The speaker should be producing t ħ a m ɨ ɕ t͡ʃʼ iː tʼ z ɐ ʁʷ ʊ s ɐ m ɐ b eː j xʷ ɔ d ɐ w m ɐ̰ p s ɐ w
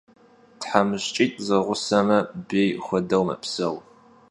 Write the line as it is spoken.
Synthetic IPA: t ħ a m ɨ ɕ t͡ʃʼ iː tʼ z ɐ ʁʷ ʊ s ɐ m ɐ b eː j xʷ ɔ d ɐ w m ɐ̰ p s ɐ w